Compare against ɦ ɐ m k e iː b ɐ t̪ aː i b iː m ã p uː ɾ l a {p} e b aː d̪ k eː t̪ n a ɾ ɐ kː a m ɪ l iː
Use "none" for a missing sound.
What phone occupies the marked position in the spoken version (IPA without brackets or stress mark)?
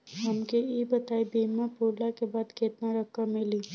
k